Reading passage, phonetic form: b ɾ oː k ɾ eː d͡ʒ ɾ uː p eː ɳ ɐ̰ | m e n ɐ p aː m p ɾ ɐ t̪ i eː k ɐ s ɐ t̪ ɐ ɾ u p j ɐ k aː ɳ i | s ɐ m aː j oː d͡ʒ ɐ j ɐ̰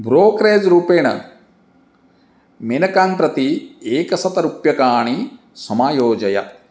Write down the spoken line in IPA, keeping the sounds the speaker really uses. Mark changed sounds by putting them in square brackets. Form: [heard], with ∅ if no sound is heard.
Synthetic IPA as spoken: b ɾ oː k ɾ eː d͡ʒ ɾ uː p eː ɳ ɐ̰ | m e n ɐ [k] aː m p ɾ ɐ t̪ i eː k ɐ s ɐ t̪ ɐ ɾ u p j ɐ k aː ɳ i | s ɐ m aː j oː d͡ʒ ɐ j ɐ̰